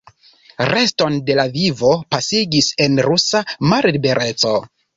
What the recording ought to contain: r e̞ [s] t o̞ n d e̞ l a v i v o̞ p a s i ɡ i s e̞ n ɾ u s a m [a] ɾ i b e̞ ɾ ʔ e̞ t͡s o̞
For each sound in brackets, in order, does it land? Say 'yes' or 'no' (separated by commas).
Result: yes, yes